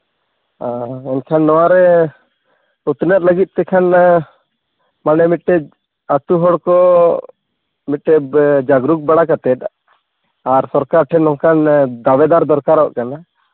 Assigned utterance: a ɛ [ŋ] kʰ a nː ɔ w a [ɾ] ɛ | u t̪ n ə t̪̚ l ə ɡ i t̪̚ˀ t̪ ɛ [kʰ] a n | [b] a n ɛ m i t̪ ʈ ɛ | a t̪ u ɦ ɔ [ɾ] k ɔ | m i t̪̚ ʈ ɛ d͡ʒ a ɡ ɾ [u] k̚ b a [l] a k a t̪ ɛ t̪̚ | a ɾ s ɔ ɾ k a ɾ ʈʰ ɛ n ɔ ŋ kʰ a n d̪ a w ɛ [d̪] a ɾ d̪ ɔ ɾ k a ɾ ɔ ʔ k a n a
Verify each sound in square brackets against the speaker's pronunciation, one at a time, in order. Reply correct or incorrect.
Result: incorrect, correct, correct, incorrect, incorrect, correct, incorrect, correct

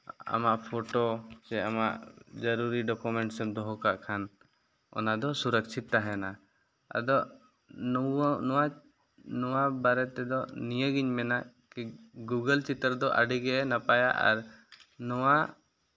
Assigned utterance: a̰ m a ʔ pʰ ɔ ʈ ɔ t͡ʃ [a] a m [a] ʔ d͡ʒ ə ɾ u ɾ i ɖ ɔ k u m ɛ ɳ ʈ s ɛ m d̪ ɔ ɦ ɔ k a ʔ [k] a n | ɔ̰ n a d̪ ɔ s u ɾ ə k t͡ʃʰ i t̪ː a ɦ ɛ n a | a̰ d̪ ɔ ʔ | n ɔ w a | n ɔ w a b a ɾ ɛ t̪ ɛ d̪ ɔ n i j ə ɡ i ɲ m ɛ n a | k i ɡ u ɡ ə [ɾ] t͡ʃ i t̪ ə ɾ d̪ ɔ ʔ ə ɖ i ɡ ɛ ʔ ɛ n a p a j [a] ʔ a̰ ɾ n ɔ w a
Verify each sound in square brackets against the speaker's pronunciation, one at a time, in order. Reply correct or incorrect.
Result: incorrect, correct, incorrect, incorrect, correct

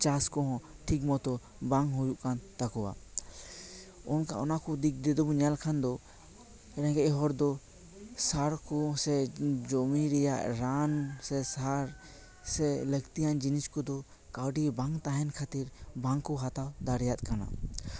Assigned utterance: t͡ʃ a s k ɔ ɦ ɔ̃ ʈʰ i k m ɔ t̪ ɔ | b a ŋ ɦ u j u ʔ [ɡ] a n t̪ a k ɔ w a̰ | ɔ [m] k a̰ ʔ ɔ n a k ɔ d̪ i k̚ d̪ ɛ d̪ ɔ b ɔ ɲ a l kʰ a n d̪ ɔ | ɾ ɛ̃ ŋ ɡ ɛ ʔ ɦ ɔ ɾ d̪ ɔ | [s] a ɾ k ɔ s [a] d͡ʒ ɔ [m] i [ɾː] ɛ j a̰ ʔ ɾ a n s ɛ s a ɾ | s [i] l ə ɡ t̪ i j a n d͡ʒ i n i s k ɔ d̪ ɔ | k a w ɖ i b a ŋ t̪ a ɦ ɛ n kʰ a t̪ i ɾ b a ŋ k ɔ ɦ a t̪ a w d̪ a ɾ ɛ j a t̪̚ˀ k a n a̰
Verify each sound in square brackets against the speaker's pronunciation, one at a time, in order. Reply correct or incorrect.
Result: incorrect, incorrect, correct, incorrect, correct, incorrect, incorrect

